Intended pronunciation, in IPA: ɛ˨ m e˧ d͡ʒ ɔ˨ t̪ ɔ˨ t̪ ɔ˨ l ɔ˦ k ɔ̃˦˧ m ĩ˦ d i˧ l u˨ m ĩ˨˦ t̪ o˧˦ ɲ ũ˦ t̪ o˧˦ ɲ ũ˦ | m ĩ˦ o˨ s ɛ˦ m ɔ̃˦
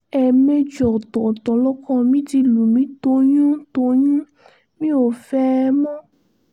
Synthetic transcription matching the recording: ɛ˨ m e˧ d͡ʒ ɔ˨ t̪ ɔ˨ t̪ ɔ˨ l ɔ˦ k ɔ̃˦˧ m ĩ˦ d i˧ l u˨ m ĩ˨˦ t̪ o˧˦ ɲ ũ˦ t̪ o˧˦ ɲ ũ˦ | m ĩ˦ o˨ f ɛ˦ m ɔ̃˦